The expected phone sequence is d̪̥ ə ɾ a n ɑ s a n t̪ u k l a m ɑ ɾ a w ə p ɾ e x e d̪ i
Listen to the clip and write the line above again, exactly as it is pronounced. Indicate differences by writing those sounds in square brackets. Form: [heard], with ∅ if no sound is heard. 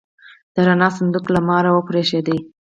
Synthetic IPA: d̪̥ ə ɾ a n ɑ s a n [d̪] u k l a m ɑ ɾ a w ə p ɾ e [ʃ] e d̪ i